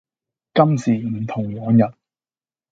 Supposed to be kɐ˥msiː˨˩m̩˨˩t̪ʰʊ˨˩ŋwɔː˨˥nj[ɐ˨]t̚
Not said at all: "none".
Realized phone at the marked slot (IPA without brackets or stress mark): ɐ˨